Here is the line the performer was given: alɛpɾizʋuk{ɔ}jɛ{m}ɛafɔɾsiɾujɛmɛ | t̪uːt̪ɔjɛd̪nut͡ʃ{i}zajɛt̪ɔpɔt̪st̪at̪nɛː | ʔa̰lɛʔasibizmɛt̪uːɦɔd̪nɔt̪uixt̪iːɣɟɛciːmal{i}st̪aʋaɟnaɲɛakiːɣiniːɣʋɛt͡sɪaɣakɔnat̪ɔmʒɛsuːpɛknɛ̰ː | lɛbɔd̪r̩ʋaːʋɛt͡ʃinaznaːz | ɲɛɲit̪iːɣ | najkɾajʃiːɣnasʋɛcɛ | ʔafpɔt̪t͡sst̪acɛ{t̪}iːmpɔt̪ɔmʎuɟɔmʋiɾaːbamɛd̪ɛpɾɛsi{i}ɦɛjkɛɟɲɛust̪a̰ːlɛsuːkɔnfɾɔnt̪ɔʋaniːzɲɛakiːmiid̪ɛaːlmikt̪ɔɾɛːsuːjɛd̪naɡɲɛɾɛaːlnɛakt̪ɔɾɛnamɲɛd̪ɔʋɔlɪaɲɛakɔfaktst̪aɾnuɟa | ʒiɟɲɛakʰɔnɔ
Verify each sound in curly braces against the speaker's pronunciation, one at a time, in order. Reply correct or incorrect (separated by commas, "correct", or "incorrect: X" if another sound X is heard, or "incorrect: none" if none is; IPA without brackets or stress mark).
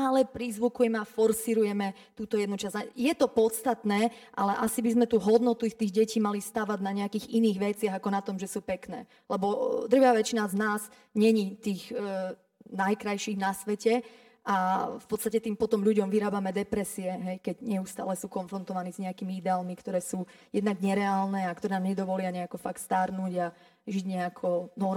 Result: incorrect: u, correct, incorrect: a, correct, correct, incorrect: ɛ